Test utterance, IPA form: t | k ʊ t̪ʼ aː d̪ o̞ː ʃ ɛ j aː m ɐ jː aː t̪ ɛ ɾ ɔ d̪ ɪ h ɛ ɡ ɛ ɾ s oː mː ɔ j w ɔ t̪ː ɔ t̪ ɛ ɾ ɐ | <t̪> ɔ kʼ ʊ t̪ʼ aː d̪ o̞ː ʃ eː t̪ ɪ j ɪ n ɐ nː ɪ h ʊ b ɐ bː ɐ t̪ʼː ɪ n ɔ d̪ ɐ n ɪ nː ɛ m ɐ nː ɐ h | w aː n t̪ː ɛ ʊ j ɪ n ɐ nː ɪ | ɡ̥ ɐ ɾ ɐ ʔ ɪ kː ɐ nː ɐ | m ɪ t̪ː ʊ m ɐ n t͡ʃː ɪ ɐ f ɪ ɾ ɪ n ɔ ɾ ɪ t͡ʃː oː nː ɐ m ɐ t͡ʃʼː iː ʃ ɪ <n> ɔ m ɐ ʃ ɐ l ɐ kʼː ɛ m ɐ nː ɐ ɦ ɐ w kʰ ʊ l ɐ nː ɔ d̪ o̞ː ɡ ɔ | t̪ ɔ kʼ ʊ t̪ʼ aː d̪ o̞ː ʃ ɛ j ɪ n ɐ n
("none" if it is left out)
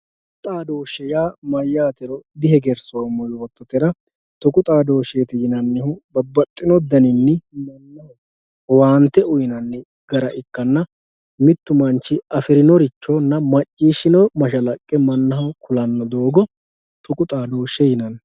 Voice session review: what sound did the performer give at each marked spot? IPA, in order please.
t̪, n

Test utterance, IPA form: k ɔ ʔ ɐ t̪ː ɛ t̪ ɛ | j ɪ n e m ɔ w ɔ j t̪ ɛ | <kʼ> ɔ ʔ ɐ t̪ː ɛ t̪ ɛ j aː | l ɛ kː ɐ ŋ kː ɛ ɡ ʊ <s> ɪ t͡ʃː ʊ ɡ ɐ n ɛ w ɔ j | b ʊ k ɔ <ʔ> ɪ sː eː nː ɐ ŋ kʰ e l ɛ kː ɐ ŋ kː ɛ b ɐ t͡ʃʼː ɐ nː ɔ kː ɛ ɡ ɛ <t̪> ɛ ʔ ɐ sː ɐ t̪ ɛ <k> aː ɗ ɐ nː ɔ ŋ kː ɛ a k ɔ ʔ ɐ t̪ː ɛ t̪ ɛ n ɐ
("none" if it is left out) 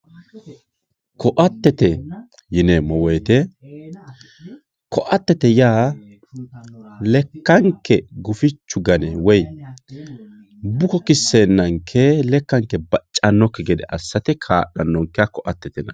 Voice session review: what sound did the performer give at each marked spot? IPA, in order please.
k, f, k, d̪, kʰ

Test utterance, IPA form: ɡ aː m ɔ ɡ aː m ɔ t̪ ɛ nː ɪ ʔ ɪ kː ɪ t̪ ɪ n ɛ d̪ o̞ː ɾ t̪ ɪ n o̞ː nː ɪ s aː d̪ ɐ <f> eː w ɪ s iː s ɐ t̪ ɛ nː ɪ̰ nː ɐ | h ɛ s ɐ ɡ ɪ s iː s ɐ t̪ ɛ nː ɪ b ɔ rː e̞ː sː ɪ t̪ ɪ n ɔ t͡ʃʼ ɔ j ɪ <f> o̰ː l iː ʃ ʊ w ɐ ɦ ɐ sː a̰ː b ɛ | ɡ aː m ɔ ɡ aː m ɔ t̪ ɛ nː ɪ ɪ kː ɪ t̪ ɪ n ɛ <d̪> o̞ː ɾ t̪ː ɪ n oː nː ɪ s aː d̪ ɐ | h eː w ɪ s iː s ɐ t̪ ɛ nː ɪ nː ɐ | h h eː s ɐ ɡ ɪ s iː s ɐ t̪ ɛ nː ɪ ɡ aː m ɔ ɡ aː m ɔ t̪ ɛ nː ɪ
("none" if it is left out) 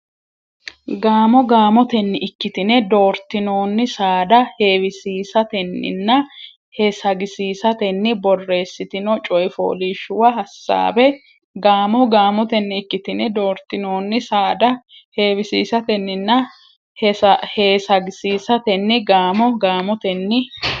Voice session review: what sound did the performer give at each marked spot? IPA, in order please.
h, f, d̪

